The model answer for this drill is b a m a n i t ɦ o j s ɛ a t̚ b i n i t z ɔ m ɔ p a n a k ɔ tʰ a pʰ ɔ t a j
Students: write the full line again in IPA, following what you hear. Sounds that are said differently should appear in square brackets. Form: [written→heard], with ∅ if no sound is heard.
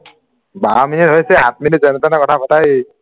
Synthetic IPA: b a m [a→i] n i t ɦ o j s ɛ a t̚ [b→m] i n i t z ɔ [m→n] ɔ [p→t] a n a k ɔ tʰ a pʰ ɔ t a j